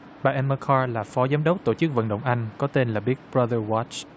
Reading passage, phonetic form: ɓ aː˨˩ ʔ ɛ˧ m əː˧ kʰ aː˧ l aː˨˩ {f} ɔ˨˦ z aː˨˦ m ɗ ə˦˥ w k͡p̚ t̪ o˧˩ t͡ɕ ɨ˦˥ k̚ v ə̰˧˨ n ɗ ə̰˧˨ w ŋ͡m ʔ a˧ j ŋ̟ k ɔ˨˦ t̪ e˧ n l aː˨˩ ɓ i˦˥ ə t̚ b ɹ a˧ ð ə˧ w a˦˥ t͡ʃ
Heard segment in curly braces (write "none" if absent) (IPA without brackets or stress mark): f